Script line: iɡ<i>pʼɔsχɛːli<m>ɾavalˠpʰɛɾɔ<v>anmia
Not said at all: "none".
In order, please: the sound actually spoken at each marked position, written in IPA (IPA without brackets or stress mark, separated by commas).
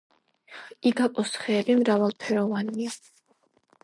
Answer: a, m, v